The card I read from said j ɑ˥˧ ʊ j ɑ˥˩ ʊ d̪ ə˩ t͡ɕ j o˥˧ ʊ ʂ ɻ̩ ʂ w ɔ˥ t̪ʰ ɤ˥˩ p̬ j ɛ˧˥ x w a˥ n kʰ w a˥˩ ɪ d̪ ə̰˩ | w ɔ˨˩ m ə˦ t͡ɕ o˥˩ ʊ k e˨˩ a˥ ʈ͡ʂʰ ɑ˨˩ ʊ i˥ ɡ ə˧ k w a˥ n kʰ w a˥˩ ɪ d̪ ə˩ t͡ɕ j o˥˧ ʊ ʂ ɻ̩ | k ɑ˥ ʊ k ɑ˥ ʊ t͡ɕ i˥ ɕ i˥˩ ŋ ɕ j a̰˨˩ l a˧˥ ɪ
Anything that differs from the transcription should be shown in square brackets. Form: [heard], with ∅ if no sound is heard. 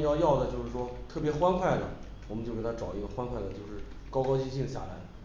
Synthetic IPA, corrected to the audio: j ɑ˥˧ ʊ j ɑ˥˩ ʊ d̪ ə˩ t͡ɕ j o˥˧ ʊ ʂ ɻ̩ ʂ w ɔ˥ t̪ʰ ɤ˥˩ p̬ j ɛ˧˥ x w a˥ n kʰ w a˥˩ ɪ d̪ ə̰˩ | w ɔ˨˩ m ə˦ t͡ɕ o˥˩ ʊ k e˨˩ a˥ [ʈ͡ʂ] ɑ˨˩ ʊ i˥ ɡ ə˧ [x] w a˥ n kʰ w a˥˩ ɪ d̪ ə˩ t͡ɕ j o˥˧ ʊ ʂ ɻ̩ | k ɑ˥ ʊ k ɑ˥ ʊ t͡ɕ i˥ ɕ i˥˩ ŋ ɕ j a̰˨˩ l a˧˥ ɪ